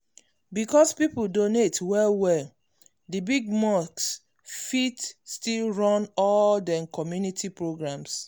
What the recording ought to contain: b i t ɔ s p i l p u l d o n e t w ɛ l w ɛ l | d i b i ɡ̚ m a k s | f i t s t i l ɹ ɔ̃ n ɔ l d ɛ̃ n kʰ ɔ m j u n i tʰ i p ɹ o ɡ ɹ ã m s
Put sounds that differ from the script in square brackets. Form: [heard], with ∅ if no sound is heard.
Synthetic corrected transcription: b i [k] ɔ s p i [∅] p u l d o n e t w ɛ l w ɛ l | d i b i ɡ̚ m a k s | f i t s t i l ɹ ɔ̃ n ɔ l d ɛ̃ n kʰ ɔ m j u n i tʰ i p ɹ o ɡ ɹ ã m s